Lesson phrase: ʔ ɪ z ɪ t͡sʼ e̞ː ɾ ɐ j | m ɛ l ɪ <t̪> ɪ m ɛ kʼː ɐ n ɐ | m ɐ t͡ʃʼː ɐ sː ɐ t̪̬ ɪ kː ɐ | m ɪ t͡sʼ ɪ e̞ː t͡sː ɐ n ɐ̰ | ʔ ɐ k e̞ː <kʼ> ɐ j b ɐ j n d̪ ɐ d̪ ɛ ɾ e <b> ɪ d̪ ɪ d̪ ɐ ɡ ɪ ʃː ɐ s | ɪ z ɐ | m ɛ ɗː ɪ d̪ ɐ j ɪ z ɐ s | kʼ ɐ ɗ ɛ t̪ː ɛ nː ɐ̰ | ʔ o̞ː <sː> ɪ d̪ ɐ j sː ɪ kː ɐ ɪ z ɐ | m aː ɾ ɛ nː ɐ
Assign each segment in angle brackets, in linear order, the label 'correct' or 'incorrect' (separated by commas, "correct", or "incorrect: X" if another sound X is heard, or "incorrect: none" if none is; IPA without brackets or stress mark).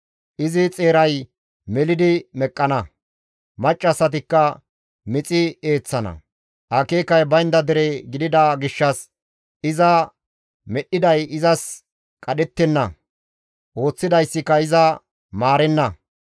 incorrect: d̪, incorrect: k, incorrect: ɡ, incorrect: t͡sː